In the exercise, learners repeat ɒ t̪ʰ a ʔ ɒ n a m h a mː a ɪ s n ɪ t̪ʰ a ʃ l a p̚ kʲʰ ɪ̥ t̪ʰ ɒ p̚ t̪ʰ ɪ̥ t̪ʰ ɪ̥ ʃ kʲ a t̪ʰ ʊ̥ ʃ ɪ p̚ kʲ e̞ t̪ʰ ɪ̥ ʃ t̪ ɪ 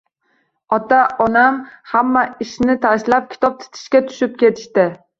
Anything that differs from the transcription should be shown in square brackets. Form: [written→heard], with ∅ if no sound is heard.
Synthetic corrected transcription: ɒ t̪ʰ a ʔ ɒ n a m h a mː a ɪ [s→ʃ] n ɪ t̪ʰ a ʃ l a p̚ kʲʰ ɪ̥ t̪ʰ ɒ p̚ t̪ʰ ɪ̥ t̪ʰ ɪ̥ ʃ kʲ a t̪ʰ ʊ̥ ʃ ɪ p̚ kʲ e̞ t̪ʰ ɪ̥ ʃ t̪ ɪ